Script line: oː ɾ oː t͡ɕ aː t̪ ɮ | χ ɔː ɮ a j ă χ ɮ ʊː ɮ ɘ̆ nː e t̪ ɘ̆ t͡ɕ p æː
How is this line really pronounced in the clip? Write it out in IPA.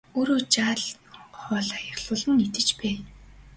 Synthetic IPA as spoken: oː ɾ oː t͡ɕ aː ɮ | χ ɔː ɮ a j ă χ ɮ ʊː ɮ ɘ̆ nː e t̪ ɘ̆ t͡ɕ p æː